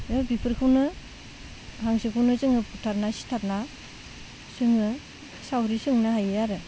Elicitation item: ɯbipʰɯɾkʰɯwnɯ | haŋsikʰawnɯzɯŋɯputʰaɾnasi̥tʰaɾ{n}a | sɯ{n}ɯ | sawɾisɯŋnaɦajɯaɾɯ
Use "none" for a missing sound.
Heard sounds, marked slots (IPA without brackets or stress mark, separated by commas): n, ŋ